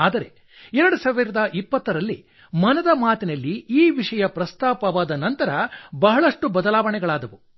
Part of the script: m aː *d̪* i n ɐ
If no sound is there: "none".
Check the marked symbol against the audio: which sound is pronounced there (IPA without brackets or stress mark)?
t̪